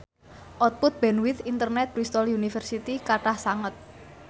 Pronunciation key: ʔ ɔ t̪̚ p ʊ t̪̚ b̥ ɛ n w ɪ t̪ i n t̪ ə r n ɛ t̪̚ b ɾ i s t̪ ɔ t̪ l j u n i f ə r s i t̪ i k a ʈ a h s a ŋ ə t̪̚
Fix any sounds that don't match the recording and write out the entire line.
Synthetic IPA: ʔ ɔ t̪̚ p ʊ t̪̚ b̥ ɛ n w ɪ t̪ i n t̪ ə r n ɛ t̪̚ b ɾ i s t̪ ɔ l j u n i f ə r s i t̪ i k a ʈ a h s a ŋ ə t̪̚